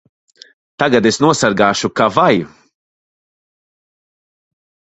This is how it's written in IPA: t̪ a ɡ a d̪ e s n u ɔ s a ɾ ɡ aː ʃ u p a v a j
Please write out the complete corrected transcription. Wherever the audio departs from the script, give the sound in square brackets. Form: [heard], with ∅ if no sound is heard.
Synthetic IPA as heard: t̪ a ɡ a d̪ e s n u ɔ s a ɾ ɡ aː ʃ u [k] a v a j